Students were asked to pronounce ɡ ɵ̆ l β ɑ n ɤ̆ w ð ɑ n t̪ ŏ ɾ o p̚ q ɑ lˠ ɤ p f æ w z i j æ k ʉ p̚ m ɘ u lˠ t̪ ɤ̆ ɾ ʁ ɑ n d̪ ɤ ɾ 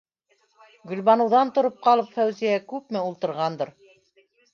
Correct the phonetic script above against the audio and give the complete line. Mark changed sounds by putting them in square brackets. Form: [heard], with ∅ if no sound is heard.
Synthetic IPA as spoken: ɡ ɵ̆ l β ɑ n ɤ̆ w ð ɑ n t̪ ŏ ɾ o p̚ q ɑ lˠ ɤ p f æ w z i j æ k ʉ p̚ m ɘ u lˠ t̪ ɤ̆ ɾ ʁ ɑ n d̪ ɤ ɾ